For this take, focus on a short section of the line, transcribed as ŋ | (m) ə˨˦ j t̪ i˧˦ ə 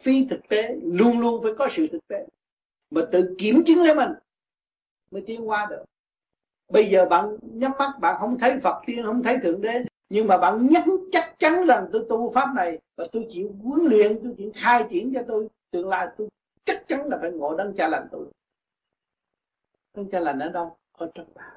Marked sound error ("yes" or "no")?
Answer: no